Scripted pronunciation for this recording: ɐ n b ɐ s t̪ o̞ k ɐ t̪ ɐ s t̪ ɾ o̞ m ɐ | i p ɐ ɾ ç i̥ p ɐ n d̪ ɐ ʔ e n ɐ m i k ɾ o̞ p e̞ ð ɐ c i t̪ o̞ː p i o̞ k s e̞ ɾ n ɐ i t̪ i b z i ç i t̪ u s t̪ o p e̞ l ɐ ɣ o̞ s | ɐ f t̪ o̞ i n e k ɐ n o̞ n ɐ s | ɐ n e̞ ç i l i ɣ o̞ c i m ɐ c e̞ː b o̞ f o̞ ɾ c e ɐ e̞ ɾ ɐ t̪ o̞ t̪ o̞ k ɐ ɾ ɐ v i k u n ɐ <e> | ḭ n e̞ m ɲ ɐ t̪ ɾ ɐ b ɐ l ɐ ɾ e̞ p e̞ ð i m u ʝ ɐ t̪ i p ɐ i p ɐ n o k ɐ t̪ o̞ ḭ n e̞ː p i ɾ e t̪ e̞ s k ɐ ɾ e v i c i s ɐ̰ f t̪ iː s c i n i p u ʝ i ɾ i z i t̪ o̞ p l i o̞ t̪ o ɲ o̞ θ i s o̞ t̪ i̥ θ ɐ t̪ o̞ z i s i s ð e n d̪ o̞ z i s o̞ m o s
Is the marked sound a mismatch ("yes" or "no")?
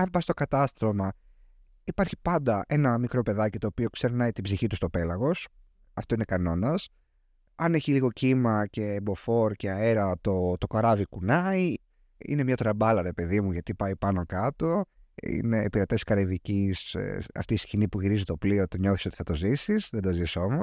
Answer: yes